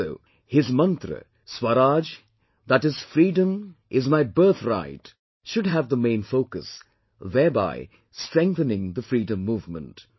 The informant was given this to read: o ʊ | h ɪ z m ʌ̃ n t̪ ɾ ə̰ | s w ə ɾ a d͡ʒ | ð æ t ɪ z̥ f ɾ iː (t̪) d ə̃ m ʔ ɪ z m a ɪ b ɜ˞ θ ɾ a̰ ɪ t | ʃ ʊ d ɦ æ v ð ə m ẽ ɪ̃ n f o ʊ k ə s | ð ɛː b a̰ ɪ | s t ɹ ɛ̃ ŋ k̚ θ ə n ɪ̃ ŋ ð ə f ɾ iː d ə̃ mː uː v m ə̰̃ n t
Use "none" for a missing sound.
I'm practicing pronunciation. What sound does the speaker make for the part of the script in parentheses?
none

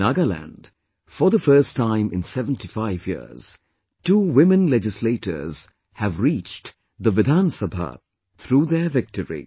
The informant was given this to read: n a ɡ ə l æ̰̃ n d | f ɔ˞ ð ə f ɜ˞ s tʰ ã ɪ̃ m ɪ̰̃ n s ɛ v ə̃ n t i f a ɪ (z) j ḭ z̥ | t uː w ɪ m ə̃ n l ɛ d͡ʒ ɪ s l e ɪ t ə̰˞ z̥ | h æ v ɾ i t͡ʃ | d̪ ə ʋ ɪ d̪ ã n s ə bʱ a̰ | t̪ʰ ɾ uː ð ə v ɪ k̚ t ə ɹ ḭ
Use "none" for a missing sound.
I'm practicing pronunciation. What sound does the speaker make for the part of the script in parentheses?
v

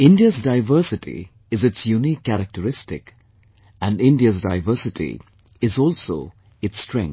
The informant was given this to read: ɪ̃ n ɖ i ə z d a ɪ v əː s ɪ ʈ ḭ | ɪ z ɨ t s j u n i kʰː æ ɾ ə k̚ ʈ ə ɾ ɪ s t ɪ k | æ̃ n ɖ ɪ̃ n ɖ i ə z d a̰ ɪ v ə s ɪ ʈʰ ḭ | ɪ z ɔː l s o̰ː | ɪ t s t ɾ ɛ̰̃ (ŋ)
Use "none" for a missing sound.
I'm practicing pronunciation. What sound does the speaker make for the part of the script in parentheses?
ŋ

